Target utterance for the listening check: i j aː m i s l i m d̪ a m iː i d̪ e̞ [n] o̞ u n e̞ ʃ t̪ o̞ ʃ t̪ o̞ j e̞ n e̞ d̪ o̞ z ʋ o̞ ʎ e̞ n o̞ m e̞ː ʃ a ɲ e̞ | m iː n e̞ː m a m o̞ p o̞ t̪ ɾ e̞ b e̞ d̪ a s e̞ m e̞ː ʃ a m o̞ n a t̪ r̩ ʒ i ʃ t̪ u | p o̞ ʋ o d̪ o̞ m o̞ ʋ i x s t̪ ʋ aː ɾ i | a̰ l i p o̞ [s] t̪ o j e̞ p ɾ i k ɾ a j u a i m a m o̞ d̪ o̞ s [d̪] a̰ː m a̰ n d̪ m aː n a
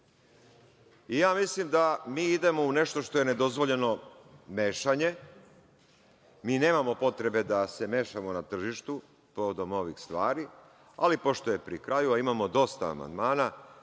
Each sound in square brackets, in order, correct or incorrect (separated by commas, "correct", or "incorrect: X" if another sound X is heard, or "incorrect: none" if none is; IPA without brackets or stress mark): incorrect: m, incorrect: ʃ, incorrect: t̪